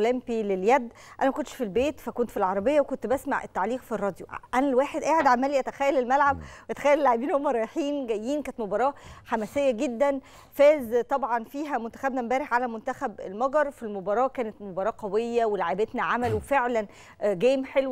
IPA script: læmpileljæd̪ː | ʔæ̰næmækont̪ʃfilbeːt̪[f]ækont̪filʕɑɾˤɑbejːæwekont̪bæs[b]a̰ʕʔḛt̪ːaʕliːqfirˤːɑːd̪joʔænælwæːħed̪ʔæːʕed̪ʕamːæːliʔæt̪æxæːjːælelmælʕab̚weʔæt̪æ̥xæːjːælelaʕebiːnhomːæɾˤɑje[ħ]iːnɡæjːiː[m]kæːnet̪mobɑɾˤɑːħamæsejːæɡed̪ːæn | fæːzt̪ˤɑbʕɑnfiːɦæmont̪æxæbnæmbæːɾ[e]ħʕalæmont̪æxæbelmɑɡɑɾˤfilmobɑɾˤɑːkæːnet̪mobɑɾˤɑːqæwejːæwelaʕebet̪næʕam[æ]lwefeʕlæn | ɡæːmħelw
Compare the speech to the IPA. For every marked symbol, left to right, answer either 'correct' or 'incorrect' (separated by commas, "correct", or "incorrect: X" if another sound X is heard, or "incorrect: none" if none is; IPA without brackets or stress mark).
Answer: correct, incorrect: m, correct, incorrect: n, correct, correct